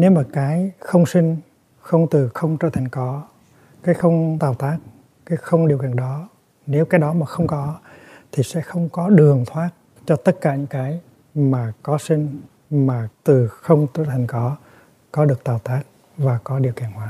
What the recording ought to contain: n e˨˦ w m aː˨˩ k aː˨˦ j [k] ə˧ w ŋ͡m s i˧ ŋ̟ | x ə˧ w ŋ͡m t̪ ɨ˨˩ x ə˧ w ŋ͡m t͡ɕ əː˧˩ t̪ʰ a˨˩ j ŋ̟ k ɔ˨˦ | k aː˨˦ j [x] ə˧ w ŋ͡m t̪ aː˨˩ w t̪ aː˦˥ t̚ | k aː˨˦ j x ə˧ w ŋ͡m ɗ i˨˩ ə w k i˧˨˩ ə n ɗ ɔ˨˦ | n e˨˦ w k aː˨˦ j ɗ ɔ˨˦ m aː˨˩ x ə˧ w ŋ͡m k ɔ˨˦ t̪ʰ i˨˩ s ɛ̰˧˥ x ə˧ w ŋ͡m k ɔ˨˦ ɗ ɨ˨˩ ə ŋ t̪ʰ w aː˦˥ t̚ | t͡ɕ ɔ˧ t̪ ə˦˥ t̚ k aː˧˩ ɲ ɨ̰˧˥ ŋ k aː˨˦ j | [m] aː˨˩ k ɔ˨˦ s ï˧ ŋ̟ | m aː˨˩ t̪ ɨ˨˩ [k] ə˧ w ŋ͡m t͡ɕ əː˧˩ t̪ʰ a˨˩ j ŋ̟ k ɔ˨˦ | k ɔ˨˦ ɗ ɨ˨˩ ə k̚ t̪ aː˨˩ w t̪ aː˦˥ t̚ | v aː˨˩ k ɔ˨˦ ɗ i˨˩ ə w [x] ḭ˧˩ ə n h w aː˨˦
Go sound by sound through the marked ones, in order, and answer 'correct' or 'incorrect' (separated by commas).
incorrect, correct, correct, incorrect, incorrect